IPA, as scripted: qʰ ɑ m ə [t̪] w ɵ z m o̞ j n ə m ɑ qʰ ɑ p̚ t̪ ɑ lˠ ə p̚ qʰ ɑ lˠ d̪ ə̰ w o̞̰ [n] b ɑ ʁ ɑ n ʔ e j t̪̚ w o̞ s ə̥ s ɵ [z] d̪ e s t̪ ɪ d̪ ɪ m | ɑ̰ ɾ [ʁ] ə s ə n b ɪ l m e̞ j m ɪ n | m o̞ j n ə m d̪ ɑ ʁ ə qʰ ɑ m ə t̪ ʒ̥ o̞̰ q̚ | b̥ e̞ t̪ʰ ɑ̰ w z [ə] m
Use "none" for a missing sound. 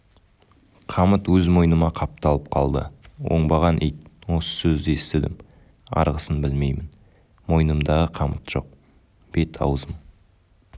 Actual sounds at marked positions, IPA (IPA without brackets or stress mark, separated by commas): t̪, ɴ, z, ʁ, ə